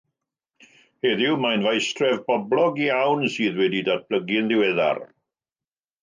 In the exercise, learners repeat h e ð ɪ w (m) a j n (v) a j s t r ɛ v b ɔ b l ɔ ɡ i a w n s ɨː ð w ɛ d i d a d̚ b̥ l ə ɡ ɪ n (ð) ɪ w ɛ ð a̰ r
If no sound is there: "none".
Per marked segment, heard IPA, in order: m, v, ð

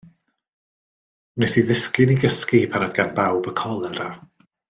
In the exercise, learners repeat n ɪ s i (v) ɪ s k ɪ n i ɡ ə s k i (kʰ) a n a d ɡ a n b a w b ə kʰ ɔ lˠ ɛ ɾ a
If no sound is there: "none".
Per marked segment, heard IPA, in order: ð, pʰ

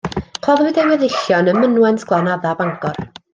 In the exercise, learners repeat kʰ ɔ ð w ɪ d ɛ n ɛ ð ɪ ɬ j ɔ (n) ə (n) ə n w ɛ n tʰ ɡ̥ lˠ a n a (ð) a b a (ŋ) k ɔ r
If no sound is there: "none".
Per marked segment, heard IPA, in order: n, m, ð, ŋ

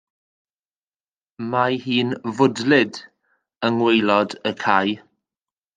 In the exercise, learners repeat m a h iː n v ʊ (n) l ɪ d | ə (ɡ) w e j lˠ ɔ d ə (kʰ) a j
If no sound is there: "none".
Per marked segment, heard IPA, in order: d, ŋ, kʰ

